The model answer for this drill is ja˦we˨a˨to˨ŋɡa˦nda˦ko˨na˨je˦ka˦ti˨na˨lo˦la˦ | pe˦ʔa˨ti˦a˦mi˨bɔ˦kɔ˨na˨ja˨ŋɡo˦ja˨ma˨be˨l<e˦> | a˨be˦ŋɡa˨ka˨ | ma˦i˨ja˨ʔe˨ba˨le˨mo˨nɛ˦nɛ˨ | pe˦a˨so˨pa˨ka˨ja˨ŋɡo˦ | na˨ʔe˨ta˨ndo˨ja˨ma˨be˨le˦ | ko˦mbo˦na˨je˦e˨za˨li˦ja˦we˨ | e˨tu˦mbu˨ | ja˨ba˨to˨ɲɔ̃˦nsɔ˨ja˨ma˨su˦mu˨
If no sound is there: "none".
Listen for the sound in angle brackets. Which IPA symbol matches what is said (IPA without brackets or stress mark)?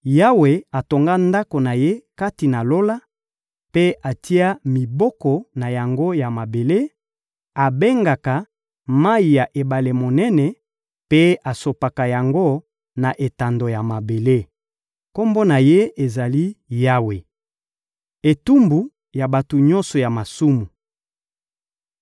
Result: e˦